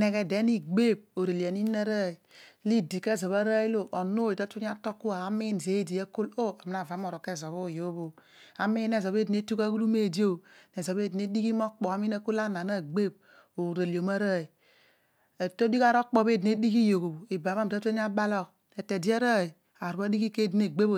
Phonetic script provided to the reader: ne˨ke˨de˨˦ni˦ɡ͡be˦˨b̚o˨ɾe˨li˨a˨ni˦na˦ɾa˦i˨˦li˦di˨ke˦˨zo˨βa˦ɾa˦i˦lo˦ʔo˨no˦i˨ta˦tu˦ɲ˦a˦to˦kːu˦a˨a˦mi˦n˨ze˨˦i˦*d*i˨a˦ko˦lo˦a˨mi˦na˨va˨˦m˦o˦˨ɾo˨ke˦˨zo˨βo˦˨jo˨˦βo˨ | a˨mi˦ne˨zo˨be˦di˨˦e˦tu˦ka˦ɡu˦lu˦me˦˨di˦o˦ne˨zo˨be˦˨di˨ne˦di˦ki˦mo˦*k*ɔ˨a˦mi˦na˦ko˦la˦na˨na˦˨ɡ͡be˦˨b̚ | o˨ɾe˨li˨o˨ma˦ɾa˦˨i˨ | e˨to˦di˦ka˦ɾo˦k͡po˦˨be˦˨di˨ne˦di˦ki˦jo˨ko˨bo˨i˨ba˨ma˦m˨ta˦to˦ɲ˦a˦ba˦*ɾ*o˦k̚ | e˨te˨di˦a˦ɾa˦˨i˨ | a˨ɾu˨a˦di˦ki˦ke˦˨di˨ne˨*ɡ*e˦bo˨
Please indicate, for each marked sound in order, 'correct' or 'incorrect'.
correct, incorrect, incorrect, incorrect

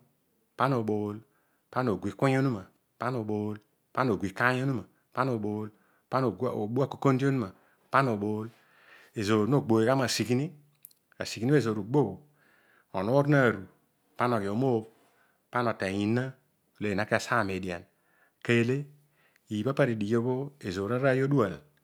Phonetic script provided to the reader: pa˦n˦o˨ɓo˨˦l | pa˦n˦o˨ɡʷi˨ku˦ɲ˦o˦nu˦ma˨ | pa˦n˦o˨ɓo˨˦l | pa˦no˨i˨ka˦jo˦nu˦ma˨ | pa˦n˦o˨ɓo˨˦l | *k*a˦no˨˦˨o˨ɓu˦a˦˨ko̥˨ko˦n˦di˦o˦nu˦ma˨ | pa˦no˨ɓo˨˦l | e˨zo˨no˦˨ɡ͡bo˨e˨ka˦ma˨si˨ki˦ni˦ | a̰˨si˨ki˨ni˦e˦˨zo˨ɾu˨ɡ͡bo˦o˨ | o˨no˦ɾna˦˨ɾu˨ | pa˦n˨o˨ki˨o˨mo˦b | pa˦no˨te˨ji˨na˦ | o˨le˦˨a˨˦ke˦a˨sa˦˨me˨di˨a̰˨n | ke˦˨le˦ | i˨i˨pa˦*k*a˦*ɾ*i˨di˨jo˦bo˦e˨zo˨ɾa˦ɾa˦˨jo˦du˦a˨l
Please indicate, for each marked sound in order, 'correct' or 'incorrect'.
incorrect, incorrect, correct

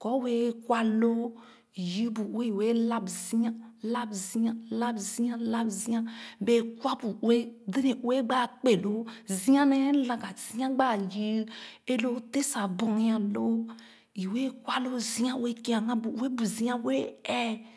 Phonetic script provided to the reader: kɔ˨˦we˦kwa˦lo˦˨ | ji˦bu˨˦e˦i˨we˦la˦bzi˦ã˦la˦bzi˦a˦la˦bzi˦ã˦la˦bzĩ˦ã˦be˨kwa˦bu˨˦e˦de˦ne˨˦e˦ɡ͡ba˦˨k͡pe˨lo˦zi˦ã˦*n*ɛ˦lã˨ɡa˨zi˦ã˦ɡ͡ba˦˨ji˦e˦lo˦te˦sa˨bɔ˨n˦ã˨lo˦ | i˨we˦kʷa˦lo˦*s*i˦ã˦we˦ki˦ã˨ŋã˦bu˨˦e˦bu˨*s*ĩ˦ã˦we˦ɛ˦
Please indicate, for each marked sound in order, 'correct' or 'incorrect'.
correct, incorrect, incorrect

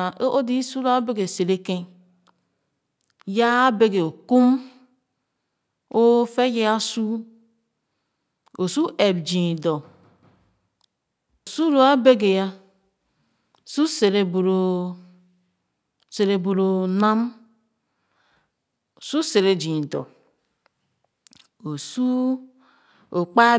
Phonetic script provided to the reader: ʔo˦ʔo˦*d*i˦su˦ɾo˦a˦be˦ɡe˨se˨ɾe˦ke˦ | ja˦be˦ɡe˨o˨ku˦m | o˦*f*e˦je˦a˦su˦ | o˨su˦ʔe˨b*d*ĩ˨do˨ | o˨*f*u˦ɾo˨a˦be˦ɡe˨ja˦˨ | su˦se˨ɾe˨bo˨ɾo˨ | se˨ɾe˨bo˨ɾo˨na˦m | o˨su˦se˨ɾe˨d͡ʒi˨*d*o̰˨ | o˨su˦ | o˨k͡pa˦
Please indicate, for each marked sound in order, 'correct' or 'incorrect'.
correct, correct, incorrect, incorrect, correct

